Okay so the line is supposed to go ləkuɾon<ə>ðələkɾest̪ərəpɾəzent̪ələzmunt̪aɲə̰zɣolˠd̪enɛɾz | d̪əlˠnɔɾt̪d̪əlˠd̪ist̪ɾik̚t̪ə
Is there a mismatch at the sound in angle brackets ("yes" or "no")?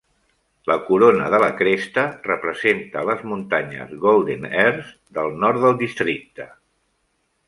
no